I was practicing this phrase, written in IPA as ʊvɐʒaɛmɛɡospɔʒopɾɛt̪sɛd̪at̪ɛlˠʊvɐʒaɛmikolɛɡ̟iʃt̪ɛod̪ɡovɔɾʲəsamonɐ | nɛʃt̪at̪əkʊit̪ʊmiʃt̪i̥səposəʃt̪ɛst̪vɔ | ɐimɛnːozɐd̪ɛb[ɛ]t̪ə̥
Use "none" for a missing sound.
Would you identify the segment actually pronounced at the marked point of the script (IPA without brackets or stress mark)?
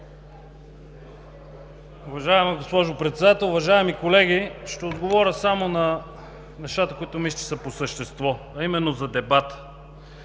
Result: a